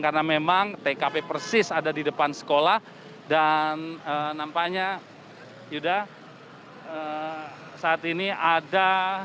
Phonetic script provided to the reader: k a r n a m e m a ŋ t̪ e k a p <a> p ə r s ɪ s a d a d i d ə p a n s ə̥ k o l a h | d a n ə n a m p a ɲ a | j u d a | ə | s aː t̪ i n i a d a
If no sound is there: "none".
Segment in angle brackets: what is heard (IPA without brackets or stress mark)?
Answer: e